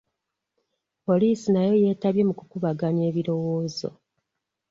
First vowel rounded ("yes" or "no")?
yes